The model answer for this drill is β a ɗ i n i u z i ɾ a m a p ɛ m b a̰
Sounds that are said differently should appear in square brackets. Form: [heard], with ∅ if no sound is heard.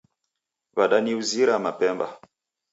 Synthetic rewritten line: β a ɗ [a] n i u z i ɾ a m a p ɛ m b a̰